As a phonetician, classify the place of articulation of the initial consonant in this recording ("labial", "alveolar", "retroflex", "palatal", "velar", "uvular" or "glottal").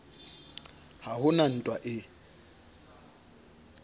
glottal